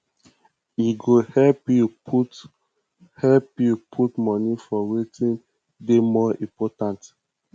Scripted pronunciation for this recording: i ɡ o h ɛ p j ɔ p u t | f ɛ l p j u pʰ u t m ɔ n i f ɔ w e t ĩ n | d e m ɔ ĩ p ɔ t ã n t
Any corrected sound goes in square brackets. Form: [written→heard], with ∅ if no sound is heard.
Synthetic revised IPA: i ɡ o h ɛ p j [ɔ→u] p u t | [f→h] ɛ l p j u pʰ u t m ɔ n i f ɔ w e t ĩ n | d e m ɔ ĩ p ɔ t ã n t